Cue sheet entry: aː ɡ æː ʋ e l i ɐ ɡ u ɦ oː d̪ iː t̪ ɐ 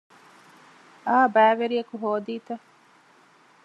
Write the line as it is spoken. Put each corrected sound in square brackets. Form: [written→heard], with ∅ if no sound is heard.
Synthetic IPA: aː [ɡ→b] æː ʋ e [l→ɾ] i ɐ [ɡ→k] u ɦ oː d̪ iː t̪ ɐ